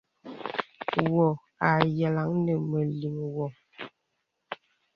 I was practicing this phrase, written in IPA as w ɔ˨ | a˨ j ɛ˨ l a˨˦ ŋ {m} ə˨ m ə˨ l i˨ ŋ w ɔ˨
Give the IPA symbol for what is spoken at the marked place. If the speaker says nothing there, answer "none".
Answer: n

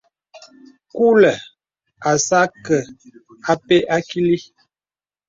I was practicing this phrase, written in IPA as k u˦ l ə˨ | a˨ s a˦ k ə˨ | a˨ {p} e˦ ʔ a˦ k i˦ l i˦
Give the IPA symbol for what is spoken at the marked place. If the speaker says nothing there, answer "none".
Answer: p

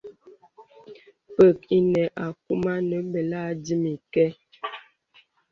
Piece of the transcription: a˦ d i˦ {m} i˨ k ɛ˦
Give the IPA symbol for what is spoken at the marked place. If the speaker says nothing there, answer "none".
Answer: m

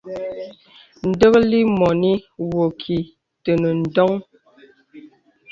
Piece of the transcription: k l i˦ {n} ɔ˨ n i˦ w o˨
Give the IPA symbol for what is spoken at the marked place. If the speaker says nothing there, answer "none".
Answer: m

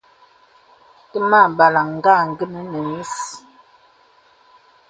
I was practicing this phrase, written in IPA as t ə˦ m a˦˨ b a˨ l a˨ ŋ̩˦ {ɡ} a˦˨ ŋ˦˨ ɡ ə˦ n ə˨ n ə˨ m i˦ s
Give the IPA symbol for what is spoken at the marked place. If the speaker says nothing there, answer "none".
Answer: ɡ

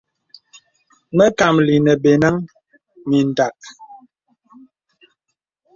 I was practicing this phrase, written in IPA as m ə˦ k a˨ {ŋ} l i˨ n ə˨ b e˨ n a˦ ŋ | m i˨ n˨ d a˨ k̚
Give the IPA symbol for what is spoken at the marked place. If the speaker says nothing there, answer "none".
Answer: m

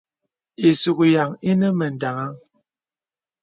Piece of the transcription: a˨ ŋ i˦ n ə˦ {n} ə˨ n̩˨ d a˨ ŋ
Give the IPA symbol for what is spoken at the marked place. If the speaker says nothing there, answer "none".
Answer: m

